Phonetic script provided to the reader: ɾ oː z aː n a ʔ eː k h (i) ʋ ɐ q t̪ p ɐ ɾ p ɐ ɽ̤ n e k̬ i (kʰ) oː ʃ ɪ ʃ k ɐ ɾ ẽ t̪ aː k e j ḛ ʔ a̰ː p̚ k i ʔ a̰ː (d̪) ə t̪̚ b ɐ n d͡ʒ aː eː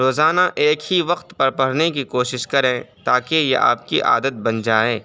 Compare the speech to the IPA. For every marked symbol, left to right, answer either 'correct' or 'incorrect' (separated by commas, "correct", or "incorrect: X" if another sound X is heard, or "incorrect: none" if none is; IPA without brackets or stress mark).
correct, incorrect: k, correct